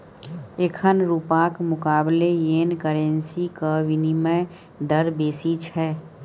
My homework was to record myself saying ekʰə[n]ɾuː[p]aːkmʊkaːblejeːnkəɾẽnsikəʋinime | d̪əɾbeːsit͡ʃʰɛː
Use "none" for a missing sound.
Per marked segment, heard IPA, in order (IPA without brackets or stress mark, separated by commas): n, p